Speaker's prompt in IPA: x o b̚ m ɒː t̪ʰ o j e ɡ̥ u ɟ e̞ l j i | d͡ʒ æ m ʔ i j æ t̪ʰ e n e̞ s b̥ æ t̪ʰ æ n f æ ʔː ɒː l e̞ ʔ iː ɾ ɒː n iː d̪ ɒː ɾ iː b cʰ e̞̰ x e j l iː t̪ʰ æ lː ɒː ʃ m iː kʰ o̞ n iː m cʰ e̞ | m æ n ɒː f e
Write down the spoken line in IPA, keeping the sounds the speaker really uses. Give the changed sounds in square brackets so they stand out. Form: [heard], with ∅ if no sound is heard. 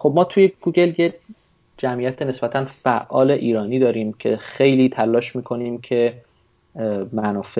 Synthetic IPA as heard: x o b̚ m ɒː t̪ʰ [u] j e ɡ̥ u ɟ e̞ l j [e] | d͡ʒ æ m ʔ i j æ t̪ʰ e n e̞ s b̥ æ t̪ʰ æ n f æ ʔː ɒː l e̞ ʔ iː ɾ ɒː n iː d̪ ɒː ɾ iː [m] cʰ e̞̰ x e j l iː t̪ʰ æ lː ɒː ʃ m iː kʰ o̞ n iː m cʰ e̞ | m æ n ɒː f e